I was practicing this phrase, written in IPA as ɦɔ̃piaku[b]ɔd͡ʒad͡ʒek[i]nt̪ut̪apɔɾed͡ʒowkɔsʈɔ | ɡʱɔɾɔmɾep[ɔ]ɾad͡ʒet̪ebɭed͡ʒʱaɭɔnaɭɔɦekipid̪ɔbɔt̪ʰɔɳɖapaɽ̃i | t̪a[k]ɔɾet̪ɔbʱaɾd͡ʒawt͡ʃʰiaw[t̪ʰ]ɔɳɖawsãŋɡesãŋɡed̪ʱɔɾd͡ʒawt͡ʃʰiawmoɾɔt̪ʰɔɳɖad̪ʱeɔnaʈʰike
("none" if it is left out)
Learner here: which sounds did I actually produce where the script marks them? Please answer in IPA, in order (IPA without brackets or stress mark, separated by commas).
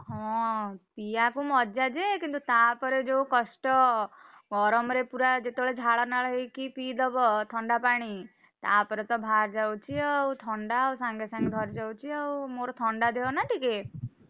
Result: m, i, u, p, t̪ʰ